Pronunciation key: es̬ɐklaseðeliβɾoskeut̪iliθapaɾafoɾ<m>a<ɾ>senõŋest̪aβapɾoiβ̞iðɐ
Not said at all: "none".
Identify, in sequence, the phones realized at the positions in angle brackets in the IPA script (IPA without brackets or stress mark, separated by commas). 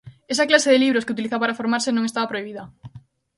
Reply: m, ɾ